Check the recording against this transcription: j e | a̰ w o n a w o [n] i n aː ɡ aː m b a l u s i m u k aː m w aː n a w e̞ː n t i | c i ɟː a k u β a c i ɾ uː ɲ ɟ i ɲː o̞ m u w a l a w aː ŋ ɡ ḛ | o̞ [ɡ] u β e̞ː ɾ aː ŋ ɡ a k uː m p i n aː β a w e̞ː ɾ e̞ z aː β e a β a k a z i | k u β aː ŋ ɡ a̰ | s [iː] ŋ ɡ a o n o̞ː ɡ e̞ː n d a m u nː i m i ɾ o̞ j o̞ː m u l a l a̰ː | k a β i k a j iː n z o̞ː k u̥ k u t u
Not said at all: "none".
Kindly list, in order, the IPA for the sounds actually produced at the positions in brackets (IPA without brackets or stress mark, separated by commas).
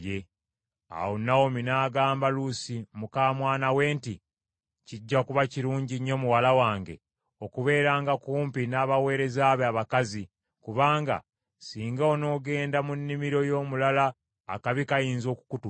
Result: m, k, iː